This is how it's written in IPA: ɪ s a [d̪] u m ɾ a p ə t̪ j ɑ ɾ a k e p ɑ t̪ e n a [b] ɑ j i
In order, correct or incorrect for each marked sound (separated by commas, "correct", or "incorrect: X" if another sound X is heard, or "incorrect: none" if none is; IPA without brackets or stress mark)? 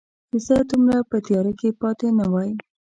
correct, incorrect: w